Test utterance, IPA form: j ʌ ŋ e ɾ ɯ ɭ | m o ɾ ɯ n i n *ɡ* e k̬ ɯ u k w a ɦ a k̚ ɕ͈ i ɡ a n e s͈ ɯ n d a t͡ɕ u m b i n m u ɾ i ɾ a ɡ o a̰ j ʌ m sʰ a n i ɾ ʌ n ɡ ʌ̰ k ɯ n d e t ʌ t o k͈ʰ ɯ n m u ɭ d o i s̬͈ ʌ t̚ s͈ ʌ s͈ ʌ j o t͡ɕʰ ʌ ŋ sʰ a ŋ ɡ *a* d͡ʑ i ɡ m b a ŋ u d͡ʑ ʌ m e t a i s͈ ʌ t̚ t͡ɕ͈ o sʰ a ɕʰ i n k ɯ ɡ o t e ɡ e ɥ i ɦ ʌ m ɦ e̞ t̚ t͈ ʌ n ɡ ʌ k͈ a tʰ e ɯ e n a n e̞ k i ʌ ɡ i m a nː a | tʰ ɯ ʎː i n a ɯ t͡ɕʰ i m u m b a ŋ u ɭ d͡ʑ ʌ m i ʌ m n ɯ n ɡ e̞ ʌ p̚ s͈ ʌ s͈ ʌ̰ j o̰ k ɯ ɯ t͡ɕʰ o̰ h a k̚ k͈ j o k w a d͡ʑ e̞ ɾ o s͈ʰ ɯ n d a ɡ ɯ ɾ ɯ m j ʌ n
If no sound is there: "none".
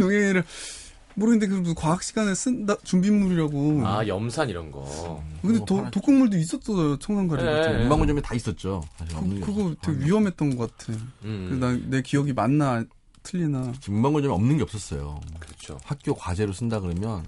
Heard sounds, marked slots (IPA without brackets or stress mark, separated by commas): d, a